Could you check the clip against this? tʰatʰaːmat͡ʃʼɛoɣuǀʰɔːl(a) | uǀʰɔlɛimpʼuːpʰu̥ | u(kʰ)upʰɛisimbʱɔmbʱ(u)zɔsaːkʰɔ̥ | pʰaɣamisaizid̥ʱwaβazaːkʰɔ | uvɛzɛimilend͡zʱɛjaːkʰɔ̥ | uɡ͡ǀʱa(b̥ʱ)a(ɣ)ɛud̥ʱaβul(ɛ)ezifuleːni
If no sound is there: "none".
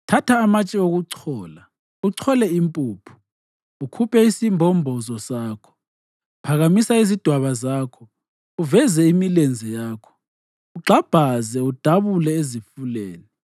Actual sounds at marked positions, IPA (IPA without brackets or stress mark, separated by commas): a, kʰ, ɔ, b̥ʱ, z, ɛ